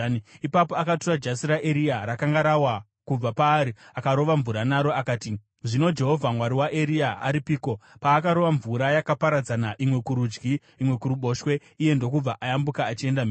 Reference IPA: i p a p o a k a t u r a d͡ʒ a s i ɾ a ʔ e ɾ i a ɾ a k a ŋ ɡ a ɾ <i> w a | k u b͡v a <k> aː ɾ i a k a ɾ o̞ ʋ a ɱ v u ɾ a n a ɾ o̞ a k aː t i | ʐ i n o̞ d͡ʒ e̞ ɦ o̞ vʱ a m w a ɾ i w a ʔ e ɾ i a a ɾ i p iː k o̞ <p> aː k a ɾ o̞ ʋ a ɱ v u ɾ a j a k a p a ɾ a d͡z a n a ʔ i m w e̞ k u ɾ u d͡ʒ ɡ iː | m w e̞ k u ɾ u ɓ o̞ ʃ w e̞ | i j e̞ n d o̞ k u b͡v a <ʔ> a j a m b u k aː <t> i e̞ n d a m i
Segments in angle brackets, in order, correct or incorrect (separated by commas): incorrect, incorrect, correct, correct, incorrect